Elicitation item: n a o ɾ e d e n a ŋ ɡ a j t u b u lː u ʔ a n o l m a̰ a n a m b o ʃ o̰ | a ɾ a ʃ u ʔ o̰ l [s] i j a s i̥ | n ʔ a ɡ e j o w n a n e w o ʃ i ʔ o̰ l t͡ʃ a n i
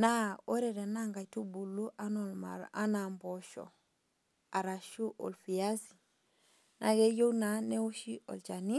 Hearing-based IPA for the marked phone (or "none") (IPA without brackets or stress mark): f